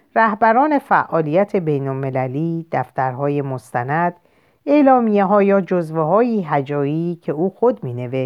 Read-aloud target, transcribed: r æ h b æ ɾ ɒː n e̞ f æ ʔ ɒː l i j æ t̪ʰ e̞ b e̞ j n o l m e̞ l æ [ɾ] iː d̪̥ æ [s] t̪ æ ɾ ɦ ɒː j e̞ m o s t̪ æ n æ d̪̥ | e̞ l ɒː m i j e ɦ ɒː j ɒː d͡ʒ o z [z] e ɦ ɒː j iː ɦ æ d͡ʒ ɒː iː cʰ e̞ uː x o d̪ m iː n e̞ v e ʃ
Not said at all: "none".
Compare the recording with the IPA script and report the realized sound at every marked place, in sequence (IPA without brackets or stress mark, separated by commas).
l, f, v